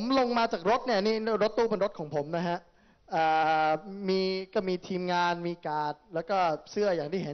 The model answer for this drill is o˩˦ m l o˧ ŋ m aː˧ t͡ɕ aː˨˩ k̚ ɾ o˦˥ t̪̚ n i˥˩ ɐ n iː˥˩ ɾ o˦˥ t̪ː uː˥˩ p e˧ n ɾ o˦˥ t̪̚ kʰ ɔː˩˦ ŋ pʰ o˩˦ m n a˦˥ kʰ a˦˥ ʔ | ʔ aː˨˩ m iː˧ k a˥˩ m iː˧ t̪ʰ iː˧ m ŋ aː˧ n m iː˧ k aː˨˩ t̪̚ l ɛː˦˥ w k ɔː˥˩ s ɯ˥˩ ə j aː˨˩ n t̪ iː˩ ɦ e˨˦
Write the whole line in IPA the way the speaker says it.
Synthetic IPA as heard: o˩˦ m l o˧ ŋ m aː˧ t͡ɕ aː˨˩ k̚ ɾ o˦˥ t̪̚ n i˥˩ ɐ n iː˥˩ ɾ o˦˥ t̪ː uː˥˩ p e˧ n ɾ o˦˥ t̪̚ kʰ ɔː˩˦ ŋ pʰ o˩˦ m n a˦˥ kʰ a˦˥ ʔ | ʔ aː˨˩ m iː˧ k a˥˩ m iː˧ t̪ʰ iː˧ m ŋ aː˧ n m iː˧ k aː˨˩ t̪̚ l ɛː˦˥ w k ɔː˥˩ s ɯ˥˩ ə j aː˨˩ ŋ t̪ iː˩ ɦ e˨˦